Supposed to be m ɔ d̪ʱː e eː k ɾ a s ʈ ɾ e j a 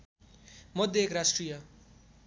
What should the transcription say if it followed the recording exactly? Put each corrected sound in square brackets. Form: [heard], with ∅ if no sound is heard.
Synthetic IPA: m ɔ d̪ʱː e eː k ɾ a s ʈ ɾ [i] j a

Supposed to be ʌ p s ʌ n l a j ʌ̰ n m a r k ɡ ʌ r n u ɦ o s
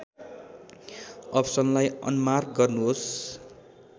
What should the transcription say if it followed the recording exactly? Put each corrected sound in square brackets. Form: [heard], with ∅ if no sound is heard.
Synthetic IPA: ʌ p s ʌ n l a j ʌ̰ n m a r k ɡ ʌ r n u ɦ o s

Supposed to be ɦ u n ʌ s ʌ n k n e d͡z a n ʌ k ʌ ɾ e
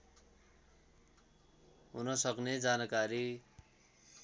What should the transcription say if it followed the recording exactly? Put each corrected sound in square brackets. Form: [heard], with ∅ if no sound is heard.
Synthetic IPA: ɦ u n ʌ s ʌ [∅] k n e d͡z a n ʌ k [a] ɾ [i]

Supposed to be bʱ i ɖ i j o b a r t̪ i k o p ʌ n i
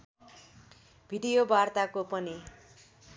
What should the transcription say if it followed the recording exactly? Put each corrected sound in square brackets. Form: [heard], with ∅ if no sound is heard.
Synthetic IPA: bʱ i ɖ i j o b a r t̪ [a] k o p ʌ n i

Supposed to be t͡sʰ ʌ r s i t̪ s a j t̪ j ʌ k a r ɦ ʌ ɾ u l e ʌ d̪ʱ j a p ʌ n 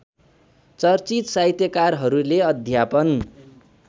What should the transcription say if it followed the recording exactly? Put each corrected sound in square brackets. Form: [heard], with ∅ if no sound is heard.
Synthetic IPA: [t͡s] ʌ r [t͡s] i t̪ s a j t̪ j ʌ k a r ɦ ʌ ɾ u l e ʌ d̪ʱ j a p ʌ n

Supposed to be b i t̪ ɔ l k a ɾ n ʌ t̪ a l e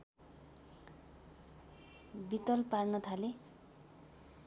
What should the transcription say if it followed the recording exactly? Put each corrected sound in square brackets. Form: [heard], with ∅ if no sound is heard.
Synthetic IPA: b i t̪ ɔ l [p] a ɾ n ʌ [t̪ʰ] a l e

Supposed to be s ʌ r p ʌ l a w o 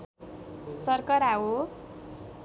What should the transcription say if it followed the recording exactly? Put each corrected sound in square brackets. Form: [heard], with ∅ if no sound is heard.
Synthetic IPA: s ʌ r [k] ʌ [ɾ] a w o

